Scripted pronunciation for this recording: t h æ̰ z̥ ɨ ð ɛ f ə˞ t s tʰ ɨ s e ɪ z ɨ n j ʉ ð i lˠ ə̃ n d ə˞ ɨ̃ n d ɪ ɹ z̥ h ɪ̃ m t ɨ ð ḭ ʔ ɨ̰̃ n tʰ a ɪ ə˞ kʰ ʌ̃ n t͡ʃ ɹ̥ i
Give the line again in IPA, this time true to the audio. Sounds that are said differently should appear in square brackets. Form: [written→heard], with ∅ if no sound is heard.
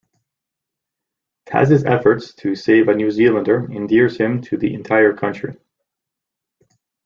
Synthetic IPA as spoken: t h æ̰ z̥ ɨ [ð→z] ɛ f ə˞ t s tʰ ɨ s e ɪ [z→v] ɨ n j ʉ [ð→z] i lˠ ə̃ n d ə˞ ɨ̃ n d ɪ ɹ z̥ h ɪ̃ m [t→tʰ] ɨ ð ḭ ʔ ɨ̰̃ n tʰ a ɪ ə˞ kʰ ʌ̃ n t͡ʃ ɹ̥ i